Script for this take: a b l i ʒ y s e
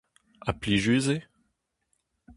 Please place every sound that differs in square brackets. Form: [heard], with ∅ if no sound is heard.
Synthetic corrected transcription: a [p] l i ʒ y [z] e